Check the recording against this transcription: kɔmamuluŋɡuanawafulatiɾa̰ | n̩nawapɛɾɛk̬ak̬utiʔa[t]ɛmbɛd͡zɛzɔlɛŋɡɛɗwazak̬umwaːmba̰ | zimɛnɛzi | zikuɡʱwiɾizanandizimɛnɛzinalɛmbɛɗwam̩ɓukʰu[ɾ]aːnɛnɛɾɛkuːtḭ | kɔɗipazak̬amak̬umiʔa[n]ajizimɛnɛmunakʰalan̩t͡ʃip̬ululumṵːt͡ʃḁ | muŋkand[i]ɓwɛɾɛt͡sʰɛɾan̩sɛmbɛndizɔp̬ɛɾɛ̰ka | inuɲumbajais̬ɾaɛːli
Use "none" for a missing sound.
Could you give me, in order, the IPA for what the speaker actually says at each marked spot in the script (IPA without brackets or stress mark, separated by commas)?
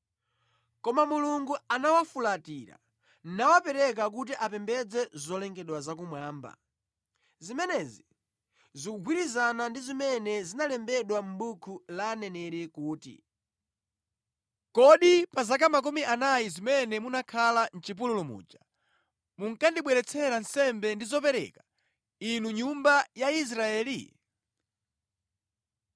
p, l, n, i